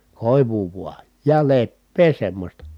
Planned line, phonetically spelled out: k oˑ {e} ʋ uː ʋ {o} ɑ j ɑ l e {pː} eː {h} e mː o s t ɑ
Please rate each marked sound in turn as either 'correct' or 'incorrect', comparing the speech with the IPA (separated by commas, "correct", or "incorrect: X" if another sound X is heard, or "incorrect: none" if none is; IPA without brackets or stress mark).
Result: incorrect: i, incorrect: u, correct, incorrect: s